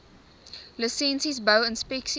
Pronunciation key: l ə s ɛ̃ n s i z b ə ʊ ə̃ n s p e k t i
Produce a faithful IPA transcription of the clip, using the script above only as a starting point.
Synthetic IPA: l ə s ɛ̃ n s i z b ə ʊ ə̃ n s p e k s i